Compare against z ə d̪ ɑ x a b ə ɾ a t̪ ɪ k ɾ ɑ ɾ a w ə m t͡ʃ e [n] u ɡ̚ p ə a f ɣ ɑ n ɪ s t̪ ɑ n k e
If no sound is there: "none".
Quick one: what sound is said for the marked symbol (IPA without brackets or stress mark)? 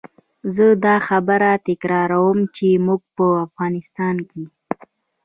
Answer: m